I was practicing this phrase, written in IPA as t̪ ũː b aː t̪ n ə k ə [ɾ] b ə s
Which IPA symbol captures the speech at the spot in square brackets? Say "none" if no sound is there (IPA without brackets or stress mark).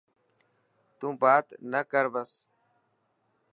ɾ